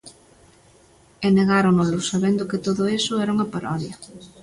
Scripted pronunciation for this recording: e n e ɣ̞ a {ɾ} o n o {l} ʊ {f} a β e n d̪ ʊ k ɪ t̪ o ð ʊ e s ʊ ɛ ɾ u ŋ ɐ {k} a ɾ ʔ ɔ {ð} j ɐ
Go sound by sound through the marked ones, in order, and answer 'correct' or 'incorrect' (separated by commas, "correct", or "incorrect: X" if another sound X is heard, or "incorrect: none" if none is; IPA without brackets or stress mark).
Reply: correct, correct, incorrect: s, incorrect: p, correct